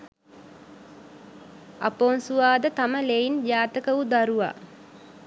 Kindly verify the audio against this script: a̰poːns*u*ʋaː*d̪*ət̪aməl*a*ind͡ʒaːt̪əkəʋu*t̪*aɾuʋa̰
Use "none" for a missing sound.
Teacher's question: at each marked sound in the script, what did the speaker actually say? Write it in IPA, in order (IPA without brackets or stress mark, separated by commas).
u, d̪, e, d̪